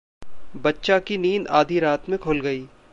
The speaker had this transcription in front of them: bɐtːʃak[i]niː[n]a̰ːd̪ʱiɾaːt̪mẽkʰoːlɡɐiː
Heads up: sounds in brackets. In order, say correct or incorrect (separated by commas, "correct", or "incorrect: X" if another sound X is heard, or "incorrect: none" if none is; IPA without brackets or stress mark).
correct, correct